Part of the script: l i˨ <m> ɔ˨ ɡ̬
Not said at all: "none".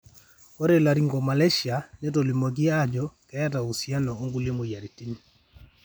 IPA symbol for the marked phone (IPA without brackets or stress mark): m